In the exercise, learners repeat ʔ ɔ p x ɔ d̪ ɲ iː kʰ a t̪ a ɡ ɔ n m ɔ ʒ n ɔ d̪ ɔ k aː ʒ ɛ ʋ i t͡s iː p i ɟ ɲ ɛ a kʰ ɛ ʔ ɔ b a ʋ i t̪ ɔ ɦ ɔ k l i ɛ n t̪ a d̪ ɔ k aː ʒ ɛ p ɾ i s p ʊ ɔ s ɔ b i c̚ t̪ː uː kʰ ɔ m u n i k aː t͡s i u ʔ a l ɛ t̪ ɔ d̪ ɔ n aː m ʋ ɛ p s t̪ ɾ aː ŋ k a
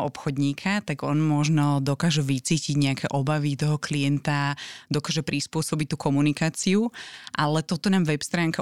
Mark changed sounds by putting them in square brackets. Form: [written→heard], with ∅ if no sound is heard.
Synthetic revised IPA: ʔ ɔ p x ɔ d̪ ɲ iː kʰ a t̪ a ɡ ɔ n m ɔ ʒ n ɔ d̪ ɔ k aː ʒ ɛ ʋ i t͡s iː [p→c] i ɟ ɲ ɛ a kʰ ɛ ʔ ɔ b a ʋ i t̪ ɔ ɦ ɔ k l i ɛ n t̪ a d̪ ɔ k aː ʒ ɛ p ɾ i s p ʊ ɔ s ɔ b i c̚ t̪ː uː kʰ ɔ m u n i k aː t͡s i u ʔ a l ɛ t̪ ɔ [d̪→t̪] ɔ n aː m ʋ ɛ p s t̪ ɾ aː ŋ k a